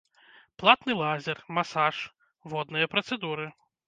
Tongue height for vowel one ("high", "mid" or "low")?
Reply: low